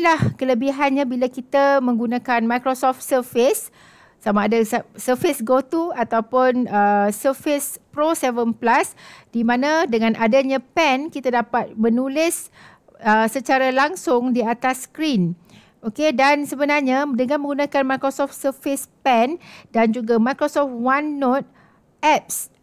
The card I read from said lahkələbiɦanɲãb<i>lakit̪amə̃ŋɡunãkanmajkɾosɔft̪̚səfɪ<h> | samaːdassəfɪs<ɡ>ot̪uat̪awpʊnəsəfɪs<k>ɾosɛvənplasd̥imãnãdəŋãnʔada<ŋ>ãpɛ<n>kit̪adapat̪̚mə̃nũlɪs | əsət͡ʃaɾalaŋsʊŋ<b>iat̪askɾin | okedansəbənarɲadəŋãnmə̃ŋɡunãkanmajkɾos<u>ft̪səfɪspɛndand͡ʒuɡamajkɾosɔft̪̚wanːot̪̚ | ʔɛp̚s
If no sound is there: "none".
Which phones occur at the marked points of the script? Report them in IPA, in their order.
i, s, ɡ, p, ɲ, n, d, ɔ

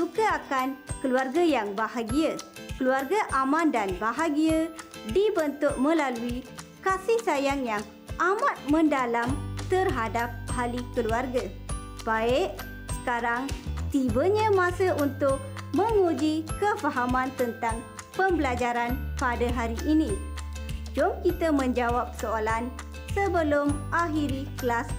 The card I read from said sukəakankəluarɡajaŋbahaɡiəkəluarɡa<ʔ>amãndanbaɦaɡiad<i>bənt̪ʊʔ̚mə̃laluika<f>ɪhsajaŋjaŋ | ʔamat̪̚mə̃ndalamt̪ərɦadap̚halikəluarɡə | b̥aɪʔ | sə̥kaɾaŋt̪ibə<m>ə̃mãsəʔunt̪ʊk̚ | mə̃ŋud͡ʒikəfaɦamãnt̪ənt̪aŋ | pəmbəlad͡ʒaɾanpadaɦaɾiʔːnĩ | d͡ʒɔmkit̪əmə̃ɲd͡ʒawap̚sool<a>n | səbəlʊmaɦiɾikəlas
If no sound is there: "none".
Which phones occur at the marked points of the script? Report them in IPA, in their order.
ʔ, i, s, ɲ, a

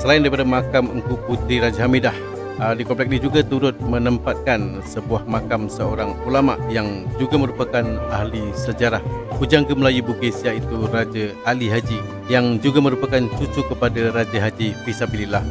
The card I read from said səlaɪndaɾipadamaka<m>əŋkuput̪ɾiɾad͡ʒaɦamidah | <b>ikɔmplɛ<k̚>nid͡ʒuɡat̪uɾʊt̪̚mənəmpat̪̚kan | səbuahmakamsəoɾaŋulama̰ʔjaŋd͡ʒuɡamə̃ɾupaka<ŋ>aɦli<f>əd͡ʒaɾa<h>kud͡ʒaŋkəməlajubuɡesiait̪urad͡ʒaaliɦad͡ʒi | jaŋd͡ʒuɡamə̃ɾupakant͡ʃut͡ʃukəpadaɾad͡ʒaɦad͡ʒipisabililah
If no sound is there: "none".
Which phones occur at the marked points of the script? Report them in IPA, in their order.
m, d, k̚, n, s, h

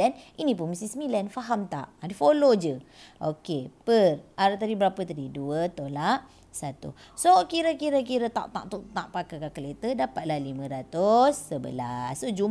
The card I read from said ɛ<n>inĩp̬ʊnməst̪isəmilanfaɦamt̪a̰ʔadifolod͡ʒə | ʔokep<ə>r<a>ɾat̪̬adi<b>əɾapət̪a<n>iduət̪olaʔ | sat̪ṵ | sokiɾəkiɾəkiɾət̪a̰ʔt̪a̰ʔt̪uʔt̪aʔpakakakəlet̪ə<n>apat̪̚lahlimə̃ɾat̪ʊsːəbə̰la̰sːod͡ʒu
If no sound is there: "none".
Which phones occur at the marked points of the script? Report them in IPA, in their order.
n, ə, a, b, d, d

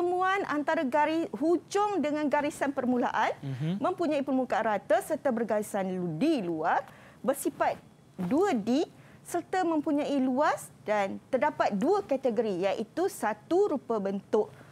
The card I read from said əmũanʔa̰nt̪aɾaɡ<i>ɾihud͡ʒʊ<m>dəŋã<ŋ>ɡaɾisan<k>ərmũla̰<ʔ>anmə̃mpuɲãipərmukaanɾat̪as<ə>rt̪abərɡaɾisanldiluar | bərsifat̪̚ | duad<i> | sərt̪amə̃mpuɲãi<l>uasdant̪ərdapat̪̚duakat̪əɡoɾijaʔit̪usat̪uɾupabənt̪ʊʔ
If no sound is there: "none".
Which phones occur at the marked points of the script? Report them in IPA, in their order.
a, ŋ, n, p, ʔ, ə, i, l

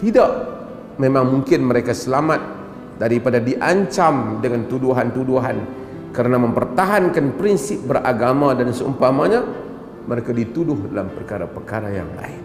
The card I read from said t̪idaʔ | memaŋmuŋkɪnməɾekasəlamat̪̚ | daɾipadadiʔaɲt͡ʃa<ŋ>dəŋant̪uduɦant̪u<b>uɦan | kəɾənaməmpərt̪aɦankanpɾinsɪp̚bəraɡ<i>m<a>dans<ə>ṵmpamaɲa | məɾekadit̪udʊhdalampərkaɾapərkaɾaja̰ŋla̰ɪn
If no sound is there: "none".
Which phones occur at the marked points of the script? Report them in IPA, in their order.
m, d, a, a, ə

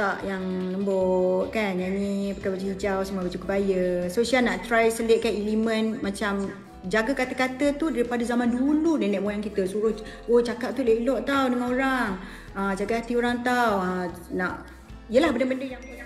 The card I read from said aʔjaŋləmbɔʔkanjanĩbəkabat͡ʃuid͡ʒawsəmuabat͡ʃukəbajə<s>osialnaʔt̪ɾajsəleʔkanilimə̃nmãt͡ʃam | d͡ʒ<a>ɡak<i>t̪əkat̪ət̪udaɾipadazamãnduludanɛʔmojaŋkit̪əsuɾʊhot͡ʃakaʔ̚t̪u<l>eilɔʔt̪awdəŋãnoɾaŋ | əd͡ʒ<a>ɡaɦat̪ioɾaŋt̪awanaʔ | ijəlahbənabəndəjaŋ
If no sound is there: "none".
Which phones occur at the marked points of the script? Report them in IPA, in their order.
s, a, a, l, a

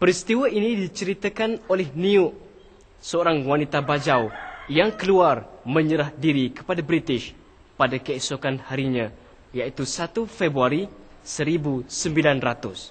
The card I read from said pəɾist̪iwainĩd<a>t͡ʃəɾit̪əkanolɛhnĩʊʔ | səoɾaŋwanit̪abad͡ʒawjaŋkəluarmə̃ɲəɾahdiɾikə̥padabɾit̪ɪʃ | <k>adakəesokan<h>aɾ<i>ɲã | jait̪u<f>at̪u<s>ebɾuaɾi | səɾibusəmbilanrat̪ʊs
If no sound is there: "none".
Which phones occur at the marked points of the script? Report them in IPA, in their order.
i, p, h, i, s, f

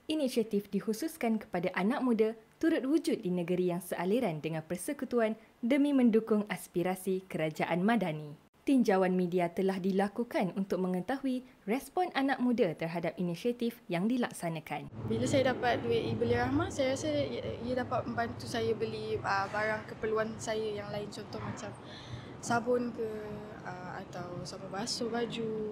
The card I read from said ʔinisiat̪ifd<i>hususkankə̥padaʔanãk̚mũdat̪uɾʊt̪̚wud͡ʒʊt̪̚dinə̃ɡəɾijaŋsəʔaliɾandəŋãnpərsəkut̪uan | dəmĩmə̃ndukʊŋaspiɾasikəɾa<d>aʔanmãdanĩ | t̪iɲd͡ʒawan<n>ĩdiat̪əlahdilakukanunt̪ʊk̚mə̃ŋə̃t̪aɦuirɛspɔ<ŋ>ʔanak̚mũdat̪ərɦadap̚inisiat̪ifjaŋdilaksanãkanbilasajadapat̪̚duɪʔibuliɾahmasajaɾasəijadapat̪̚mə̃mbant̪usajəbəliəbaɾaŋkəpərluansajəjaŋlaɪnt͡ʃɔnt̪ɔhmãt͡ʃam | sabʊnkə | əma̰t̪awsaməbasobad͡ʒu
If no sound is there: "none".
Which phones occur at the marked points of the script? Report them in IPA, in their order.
i, d͡ʒ, m, n

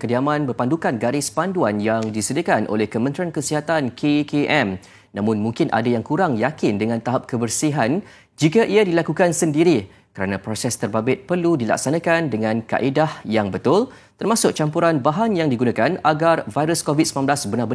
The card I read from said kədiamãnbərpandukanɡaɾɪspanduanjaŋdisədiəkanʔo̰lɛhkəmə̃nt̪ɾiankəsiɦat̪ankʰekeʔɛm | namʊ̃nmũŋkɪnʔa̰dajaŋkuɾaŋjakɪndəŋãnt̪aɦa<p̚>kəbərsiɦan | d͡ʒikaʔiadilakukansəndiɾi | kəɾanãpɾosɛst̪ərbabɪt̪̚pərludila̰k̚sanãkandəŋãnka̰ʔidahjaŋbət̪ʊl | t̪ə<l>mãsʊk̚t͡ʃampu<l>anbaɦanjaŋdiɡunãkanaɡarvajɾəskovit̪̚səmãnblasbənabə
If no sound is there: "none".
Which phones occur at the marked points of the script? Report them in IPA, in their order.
p̚, r, ɾ

